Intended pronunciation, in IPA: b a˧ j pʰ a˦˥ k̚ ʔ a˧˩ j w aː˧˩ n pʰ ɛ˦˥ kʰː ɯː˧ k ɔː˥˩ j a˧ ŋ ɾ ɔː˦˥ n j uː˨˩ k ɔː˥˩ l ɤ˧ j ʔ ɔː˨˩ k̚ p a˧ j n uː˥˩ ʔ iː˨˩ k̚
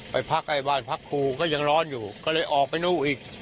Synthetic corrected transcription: p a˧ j pʰ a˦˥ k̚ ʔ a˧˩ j b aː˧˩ n pʰ a˦˥ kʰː uː˧ k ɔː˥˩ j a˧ ŋ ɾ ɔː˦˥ n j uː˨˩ k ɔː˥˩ l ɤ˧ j ʔ ɔː˨˩ k̚ p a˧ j n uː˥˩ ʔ iː˨˩ k̚

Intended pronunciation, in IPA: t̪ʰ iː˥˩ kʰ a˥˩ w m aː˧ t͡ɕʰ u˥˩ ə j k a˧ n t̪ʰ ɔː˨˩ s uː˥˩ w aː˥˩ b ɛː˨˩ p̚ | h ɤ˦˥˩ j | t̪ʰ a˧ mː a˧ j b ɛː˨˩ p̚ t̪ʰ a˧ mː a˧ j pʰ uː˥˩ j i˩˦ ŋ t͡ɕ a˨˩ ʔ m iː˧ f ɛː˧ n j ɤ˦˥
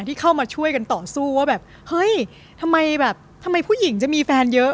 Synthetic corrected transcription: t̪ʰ iː˥˩ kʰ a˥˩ w m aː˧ t͡ɕʰ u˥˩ ə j k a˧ n t̪ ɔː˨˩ s uː˥˩ w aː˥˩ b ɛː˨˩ p̚ | h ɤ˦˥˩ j | t̪ʰ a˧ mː a˧ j b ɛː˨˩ p̚ t̪ʰ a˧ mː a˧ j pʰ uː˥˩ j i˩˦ ŋ t͡ɕ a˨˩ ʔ m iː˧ f ɛː˧ n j ɤ˦˥

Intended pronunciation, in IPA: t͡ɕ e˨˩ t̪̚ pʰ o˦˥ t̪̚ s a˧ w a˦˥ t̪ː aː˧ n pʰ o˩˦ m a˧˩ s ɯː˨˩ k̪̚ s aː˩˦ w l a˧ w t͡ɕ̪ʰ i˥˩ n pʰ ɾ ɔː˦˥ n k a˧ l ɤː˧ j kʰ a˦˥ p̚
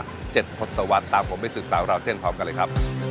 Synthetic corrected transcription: t͡ɕ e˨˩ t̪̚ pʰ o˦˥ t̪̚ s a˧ w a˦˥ t̪ː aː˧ m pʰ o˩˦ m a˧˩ s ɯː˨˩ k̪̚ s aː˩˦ w ɾ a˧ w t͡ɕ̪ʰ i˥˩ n pʰ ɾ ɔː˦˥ m k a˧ l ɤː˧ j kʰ a˦˥ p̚

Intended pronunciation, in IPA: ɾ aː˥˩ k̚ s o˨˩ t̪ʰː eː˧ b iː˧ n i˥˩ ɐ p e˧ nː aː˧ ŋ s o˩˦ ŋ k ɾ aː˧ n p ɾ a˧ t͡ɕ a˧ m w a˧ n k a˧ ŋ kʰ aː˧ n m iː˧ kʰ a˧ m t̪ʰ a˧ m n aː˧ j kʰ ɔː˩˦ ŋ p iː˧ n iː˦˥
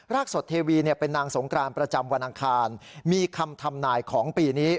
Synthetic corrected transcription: ɾ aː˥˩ k̚ s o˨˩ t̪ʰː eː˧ w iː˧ n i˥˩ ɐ p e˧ nː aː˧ ŋ s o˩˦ ŋ k ɾ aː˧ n p ɾ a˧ t͡ɕ a˧ m w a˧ n ʔ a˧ ŋ kʰ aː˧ n m iː˧ kʰ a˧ m t̪ʰ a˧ m n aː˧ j kʰ ɔː˩˦ ŋ p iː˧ n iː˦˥

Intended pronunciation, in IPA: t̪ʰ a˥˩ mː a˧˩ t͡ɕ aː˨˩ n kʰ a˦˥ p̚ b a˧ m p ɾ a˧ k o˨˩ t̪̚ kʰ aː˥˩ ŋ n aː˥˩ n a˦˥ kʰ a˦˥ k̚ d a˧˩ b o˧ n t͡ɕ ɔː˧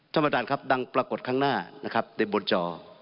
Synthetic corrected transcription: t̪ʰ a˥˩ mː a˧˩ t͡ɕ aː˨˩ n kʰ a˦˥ p̚ d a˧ ŋ p ɾ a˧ k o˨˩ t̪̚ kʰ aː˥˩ ŋ n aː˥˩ n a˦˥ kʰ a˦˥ p̚ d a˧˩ b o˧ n t͡ɕ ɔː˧

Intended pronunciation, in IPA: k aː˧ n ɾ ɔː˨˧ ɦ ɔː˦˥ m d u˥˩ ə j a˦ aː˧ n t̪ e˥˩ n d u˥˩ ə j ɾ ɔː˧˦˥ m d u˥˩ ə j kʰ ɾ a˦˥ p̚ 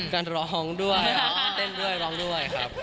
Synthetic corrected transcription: k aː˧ n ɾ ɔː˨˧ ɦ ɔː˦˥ ŋ d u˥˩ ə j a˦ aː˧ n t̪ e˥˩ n d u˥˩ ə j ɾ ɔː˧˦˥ ŋ d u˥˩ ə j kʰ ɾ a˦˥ p̚

